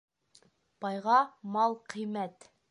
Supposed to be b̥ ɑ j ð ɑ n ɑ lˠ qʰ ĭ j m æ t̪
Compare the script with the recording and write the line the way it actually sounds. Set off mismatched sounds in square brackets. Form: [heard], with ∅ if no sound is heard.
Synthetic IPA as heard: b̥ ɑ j [ʁ] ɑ [m] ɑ lˠ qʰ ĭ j m æ t̪